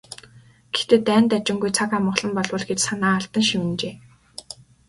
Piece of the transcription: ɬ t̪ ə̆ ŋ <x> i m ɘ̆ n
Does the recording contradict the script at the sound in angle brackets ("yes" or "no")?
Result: yes